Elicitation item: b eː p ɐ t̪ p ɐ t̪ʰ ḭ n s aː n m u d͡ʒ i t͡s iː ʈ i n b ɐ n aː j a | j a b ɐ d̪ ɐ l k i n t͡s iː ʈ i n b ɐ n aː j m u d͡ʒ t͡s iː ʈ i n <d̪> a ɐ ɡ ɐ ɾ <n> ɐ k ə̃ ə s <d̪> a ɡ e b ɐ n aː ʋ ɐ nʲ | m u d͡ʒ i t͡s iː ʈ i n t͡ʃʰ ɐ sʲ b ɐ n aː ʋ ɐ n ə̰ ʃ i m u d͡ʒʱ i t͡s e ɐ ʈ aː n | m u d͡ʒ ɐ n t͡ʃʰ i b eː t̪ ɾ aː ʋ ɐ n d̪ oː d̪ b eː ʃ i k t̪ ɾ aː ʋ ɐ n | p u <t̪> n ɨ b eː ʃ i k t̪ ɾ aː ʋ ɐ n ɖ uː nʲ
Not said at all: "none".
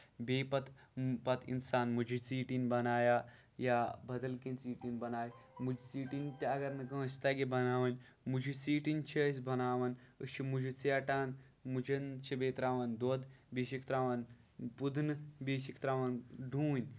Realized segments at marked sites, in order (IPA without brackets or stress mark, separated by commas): t̪, n, t̪, d̪